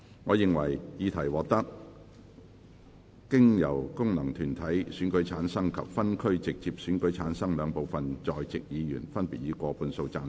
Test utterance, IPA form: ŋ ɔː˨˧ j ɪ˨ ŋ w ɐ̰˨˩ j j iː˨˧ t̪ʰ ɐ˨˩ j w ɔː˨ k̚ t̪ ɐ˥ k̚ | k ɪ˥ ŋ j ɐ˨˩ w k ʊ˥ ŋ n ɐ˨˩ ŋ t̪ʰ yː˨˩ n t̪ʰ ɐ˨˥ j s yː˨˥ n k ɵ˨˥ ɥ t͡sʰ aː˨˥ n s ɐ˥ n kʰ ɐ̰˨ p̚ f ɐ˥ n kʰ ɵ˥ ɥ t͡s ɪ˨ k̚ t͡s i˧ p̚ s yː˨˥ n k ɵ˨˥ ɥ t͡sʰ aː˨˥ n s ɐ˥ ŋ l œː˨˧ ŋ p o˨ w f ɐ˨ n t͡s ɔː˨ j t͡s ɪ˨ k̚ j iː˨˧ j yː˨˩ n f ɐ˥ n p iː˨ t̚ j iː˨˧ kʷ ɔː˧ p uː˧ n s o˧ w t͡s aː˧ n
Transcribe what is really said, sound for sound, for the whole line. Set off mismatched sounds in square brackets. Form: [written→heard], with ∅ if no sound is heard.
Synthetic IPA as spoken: ŋ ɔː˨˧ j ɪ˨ ŋ w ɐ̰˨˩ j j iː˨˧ t̪ʰ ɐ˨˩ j w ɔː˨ k̚ t̪ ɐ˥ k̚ | k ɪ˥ ŋ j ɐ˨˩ w k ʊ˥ ŋ n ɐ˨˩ ŋ t̪ʰ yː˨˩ n t̪ʰ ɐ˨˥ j s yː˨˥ n k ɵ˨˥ ɥ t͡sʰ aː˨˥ n s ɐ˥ [n→ŋ] kʰ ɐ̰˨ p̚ f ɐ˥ n kʰ ɵ˥ ɥ t͡s ɪ˨ k̚ t͡s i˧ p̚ s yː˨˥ n k ɵ˨˥ ɥ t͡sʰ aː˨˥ n s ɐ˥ ŋ l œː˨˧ ŋ p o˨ w f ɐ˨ n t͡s ɔː˨ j t͡s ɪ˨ k̚ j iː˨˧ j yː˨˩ n f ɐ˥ n p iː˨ t̚ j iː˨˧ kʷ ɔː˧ p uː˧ n s o˧ w t͡s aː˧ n